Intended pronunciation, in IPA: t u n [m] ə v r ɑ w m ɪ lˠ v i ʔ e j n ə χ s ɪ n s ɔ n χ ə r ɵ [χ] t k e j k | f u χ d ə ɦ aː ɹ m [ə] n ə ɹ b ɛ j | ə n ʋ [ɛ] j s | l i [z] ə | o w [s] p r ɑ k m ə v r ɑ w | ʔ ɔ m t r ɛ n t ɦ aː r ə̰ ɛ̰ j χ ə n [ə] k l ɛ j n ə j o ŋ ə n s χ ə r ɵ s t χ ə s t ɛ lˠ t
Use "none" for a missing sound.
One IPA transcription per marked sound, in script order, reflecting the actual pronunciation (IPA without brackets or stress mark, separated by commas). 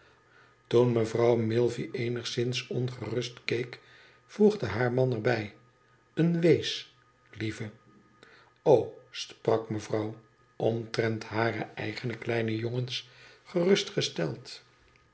m, s, ɑ, e, v, s, ə